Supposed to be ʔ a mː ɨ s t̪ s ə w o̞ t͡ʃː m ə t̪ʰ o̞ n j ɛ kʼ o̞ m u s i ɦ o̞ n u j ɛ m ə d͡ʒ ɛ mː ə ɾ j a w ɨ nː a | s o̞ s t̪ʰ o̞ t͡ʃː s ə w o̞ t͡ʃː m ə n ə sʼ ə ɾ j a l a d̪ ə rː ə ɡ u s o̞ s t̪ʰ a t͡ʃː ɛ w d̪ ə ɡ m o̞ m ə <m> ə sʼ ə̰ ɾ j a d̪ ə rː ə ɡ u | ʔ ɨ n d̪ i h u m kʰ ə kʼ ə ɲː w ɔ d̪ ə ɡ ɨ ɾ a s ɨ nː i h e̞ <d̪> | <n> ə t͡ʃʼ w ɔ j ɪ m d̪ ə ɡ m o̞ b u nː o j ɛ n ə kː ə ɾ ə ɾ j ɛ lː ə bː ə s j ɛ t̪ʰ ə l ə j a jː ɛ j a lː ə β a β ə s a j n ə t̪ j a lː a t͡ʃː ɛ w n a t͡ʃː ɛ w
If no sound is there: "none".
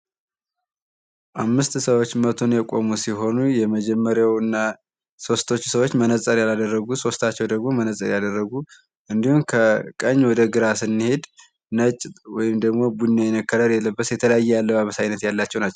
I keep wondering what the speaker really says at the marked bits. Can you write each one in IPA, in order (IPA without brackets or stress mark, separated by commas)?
n, d̪, n